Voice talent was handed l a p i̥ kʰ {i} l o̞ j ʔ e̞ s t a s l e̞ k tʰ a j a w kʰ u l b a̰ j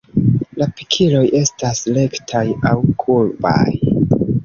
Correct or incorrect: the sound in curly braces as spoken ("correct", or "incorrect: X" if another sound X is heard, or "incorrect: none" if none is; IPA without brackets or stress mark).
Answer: correct